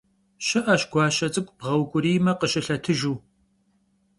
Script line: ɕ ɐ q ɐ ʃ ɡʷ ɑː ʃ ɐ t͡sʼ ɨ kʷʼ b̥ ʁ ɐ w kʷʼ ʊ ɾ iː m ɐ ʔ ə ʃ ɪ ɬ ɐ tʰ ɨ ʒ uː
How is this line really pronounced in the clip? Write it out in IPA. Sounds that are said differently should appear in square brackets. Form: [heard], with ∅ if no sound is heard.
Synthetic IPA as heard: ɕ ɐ [ʔ] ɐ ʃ ɡʷ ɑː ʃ ɐ t͡sʼ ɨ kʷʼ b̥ ʁ ɐ w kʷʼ ʊ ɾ iː m ɐ [q] ə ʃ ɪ ɬ ɐ tʰ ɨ ʒ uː